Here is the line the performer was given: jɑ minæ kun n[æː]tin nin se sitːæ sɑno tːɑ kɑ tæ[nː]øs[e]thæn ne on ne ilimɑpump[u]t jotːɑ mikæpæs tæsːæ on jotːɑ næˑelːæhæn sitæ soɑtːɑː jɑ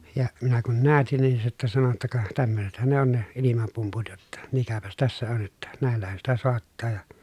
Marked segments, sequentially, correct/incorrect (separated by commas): correct, incorrect, correct, correct